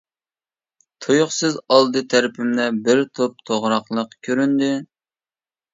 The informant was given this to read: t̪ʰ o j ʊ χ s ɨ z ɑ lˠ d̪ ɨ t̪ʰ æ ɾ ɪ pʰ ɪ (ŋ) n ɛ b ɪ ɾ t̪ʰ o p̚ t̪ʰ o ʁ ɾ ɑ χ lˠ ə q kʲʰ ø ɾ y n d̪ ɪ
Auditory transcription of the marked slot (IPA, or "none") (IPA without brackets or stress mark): m